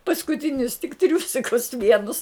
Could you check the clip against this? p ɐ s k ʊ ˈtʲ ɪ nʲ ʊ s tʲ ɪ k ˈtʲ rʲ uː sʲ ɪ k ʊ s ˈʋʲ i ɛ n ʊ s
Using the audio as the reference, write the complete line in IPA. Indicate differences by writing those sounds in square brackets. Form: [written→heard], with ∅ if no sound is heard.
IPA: p ɐ s k ʊ ˈtʲ ɪ nʲ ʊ s tʲ ɪ k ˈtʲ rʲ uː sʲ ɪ k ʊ s ˈʋʲ i ɛ n ʊ s